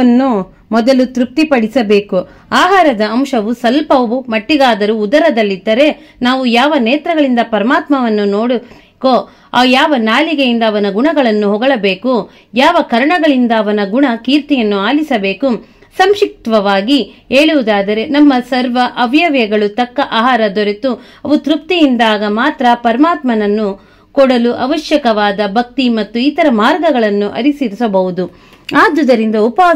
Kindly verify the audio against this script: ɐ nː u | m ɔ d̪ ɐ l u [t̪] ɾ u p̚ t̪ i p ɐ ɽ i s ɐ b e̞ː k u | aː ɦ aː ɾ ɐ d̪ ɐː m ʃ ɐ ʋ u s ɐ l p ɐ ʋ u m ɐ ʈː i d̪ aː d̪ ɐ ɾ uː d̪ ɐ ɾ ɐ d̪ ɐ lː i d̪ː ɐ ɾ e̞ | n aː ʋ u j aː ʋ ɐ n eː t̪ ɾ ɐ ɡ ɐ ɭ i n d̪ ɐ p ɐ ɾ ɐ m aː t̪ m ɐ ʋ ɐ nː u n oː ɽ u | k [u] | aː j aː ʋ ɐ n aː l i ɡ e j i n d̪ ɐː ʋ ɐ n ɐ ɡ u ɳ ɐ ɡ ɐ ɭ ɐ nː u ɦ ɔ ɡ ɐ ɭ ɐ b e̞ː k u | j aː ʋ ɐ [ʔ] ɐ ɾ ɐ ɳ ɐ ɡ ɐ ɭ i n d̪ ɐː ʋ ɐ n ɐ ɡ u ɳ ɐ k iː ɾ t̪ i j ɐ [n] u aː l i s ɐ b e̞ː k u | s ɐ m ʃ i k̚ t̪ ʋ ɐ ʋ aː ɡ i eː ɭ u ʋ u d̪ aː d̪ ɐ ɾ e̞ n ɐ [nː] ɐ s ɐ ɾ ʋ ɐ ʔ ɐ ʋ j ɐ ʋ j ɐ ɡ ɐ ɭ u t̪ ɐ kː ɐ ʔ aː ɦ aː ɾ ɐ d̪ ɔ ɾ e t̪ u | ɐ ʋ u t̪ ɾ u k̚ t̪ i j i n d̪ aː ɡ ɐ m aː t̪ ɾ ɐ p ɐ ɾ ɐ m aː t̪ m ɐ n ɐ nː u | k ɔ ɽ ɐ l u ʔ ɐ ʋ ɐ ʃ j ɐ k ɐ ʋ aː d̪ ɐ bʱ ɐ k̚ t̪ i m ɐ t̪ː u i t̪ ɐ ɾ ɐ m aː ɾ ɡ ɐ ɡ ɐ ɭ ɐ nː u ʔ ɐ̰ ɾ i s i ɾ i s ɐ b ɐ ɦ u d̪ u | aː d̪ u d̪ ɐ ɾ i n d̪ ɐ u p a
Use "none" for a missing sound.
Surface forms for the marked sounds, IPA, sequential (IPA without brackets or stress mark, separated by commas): t̪, o, k, nː, mː